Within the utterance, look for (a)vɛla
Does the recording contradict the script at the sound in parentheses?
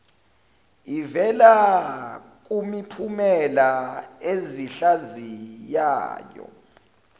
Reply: yes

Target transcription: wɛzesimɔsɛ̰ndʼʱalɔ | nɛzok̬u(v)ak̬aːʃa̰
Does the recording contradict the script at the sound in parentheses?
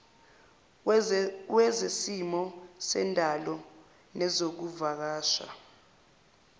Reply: no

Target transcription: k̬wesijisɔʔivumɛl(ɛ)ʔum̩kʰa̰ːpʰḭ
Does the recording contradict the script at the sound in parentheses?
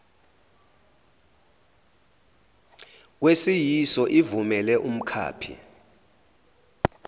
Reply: no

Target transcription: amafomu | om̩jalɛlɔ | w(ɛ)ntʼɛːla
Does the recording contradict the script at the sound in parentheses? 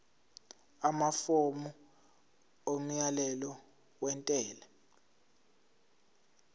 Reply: no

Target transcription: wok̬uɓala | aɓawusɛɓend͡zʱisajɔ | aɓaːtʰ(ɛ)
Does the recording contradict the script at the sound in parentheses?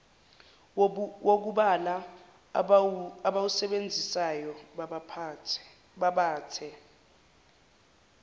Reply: no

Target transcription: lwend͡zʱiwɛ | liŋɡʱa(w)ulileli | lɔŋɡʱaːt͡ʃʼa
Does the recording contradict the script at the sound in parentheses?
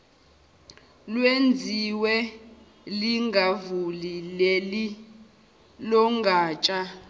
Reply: yes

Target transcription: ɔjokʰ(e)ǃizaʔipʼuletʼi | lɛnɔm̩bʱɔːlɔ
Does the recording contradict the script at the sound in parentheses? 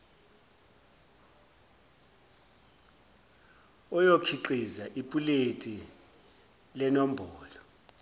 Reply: yes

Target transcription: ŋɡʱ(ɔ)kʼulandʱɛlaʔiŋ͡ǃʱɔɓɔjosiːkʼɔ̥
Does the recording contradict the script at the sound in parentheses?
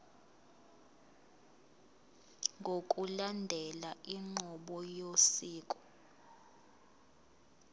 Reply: yes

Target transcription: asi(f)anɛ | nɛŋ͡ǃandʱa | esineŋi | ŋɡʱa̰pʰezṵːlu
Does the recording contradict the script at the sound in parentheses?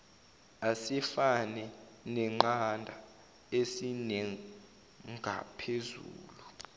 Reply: no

